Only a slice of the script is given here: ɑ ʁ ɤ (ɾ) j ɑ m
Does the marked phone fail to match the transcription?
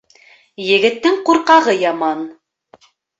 yes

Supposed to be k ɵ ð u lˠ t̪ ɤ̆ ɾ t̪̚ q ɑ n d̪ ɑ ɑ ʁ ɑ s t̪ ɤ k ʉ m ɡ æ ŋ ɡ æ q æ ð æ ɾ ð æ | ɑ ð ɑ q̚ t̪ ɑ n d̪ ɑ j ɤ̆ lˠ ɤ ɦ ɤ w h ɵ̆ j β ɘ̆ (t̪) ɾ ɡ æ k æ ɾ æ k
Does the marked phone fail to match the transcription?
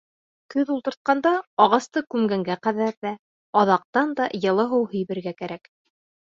yes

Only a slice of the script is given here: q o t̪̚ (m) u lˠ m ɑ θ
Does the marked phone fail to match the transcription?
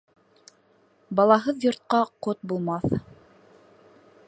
yes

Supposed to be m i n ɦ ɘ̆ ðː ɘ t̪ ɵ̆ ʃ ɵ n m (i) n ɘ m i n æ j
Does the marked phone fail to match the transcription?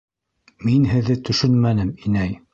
yes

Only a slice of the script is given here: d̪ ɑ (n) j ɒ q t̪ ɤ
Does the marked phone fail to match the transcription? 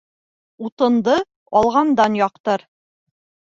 no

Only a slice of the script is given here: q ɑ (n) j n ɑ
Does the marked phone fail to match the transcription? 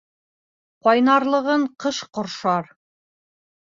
yes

